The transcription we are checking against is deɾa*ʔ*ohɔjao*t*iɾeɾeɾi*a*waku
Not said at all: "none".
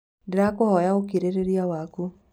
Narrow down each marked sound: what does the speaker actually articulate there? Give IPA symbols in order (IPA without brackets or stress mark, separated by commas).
k, k, a